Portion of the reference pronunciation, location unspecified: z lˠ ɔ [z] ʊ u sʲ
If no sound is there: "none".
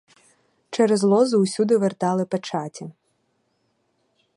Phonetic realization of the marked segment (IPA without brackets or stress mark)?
z